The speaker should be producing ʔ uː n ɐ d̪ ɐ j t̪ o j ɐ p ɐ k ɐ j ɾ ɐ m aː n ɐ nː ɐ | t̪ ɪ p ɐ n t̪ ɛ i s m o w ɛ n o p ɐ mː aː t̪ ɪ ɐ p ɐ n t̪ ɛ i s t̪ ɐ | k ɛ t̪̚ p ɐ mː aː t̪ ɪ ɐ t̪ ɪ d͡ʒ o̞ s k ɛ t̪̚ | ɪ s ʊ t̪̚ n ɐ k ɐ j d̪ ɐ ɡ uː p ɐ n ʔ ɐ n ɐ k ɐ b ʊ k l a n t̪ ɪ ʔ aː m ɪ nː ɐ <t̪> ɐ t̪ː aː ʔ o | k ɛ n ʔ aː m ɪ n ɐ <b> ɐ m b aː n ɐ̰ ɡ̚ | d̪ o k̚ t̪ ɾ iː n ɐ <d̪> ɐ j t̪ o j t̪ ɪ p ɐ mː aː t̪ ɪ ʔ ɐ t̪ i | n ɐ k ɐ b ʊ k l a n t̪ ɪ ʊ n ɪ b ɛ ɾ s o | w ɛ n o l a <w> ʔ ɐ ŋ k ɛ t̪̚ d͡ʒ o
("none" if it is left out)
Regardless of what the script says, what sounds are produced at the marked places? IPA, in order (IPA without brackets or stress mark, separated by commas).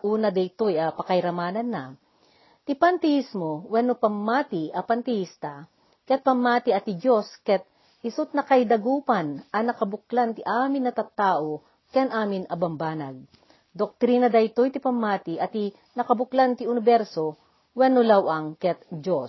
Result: t̪, b, d̪, w